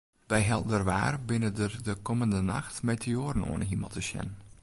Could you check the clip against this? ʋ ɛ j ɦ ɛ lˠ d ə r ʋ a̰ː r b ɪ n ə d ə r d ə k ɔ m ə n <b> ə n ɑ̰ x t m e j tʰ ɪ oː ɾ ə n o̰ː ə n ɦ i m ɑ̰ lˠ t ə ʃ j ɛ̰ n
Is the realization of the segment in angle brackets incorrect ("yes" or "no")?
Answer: yes